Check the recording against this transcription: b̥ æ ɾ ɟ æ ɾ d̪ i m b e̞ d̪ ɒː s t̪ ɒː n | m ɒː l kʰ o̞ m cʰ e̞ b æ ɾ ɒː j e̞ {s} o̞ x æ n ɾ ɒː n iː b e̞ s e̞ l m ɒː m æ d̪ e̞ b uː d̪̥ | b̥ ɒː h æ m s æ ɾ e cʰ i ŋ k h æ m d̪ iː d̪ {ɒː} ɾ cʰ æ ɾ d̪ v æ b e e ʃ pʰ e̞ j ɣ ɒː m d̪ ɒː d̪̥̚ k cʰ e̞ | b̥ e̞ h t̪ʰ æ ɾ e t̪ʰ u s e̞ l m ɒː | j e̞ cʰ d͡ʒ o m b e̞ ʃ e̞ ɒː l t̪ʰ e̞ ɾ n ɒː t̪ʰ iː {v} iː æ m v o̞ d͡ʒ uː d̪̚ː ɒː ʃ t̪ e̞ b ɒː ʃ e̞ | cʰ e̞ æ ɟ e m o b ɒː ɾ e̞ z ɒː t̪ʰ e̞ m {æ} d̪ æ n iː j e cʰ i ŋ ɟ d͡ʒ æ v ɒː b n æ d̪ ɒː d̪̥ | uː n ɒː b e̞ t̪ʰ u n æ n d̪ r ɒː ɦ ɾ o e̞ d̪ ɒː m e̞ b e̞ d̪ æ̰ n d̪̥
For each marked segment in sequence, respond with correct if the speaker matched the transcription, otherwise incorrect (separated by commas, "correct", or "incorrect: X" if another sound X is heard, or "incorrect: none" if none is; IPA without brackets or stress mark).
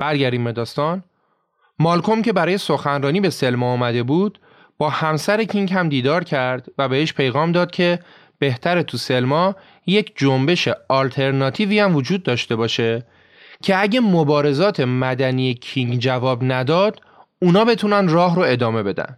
correct, correct, correct, correct